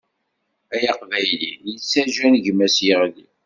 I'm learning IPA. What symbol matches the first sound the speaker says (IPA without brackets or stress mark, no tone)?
æ